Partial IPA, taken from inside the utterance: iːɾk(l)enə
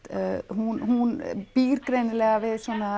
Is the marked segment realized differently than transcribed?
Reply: yes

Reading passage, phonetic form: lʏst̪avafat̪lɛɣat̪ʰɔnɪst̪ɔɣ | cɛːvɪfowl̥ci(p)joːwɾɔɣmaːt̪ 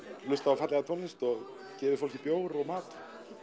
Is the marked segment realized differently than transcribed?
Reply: no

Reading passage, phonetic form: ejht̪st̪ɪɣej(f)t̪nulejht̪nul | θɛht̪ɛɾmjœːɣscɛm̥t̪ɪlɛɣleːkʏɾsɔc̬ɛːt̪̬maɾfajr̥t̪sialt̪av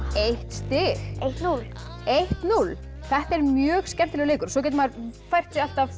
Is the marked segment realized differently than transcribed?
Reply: yes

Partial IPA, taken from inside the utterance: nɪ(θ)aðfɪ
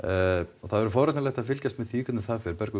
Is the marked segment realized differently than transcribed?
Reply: no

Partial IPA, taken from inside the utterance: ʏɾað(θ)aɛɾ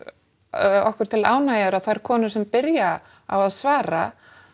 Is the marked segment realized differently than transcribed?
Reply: no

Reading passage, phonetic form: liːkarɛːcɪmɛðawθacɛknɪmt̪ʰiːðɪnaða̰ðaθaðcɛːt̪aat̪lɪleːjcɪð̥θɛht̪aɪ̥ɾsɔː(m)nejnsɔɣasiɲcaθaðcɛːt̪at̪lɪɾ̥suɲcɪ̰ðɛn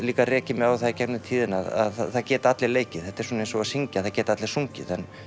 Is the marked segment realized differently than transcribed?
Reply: yes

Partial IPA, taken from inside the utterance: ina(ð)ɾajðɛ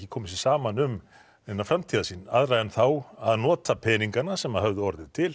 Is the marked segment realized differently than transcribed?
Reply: no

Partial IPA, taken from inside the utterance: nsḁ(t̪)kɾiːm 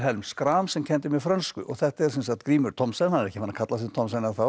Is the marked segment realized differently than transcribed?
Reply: no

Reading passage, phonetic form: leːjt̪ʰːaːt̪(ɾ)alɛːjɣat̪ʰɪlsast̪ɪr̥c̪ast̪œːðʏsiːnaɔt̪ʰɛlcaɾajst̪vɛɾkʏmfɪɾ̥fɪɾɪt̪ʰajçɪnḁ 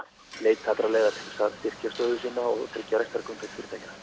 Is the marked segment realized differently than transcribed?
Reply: no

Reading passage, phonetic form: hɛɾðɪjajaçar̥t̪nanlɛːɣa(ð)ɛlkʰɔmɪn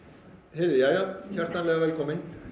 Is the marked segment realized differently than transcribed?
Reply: yes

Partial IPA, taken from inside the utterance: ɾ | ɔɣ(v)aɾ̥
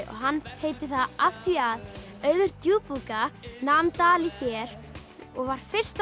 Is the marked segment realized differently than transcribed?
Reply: no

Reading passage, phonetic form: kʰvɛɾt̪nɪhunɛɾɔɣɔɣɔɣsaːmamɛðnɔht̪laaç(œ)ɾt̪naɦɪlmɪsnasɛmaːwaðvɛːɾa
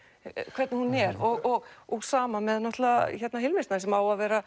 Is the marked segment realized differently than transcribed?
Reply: yes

